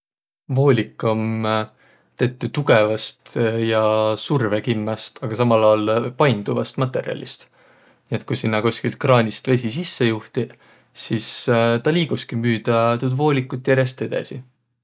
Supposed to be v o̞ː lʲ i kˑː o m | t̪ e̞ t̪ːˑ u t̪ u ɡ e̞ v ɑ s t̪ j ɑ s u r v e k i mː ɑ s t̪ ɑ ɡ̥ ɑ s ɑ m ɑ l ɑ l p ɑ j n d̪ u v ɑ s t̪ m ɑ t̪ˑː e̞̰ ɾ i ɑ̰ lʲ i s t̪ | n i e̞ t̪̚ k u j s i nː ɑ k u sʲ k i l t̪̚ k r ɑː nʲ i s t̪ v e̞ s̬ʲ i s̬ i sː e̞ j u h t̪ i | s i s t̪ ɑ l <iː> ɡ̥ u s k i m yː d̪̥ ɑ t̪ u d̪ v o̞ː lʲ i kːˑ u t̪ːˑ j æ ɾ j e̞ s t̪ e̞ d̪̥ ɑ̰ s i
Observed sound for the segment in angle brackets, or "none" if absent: iː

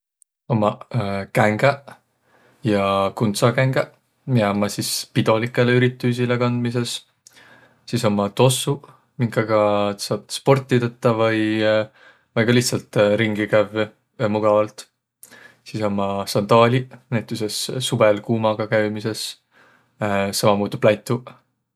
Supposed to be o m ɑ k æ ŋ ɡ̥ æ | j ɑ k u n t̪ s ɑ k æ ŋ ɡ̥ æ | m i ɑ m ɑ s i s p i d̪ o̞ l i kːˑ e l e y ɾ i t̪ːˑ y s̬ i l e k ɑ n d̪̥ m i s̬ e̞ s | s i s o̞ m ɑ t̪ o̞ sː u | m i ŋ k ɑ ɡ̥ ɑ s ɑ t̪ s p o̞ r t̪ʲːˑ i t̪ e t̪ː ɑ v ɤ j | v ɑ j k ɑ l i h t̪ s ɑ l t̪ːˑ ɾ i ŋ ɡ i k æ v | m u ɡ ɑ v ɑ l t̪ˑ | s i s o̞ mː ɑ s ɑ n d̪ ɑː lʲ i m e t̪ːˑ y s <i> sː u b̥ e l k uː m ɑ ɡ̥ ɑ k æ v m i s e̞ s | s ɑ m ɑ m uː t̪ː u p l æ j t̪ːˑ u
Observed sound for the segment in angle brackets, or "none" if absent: e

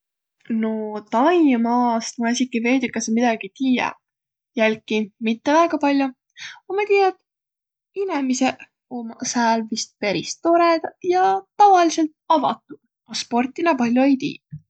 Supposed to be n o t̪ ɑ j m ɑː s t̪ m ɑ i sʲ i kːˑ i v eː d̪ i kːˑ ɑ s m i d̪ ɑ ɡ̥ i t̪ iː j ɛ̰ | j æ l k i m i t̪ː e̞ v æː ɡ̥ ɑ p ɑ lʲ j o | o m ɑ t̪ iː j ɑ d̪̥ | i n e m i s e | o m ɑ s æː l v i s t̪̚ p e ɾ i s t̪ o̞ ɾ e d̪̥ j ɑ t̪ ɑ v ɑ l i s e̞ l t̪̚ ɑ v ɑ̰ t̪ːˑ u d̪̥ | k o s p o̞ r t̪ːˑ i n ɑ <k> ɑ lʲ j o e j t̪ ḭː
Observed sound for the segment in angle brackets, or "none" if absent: p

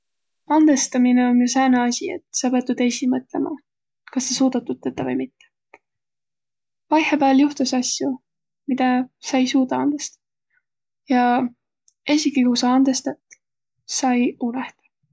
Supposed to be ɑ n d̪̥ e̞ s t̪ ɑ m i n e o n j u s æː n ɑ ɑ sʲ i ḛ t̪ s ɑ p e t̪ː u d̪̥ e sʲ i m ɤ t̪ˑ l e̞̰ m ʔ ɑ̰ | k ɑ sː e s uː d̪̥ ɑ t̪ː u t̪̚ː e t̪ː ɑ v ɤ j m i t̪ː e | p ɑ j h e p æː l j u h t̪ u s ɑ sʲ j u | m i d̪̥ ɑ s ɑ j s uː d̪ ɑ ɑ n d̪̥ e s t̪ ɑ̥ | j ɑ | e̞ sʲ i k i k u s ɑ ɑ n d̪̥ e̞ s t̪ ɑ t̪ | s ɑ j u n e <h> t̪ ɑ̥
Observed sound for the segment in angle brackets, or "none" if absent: h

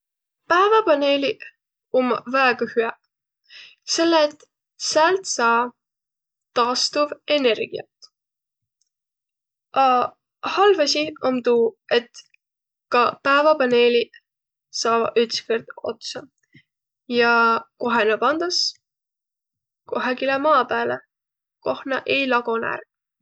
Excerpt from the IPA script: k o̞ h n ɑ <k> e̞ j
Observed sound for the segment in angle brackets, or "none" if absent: ʔ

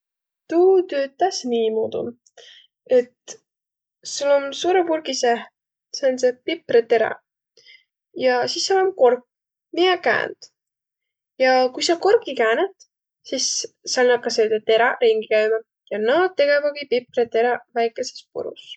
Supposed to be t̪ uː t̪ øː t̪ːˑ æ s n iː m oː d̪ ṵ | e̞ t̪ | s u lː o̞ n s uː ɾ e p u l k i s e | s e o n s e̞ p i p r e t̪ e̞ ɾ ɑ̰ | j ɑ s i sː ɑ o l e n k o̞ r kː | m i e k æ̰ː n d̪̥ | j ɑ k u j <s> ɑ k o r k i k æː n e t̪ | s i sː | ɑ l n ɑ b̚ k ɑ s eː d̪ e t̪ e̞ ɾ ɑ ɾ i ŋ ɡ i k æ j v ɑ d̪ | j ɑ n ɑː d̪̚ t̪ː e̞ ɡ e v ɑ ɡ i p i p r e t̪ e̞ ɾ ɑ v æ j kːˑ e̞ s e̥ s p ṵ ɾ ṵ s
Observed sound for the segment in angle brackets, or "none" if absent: s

